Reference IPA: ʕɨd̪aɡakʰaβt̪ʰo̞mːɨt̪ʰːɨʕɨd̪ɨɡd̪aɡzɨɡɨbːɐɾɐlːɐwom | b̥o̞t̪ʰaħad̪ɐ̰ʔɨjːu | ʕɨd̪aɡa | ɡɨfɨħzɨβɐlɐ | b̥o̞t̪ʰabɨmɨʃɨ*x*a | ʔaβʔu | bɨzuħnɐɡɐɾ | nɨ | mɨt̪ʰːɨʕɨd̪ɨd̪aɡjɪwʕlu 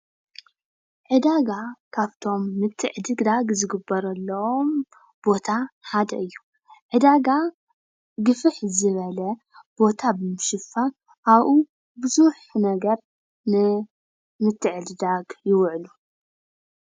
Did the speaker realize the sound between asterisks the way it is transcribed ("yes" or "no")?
no